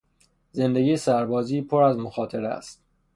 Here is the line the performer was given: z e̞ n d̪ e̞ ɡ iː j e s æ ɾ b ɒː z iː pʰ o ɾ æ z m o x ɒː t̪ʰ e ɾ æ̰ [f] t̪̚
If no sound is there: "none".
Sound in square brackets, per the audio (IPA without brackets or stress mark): s